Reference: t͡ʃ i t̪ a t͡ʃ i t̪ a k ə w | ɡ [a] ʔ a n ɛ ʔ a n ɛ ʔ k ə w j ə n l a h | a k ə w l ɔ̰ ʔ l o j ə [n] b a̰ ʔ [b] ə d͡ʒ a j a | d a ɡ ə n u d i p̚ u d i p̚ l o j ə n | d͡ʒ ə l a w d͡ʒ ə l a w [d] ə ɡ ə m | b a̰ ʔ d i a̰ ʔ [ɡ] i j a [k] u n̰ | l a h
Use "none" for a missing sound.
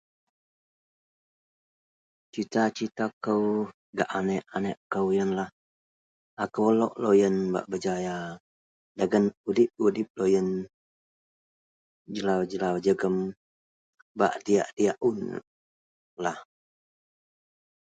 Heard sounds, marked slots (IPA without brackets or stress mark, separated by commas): a, n, b, d͡ʒ, d, ʔ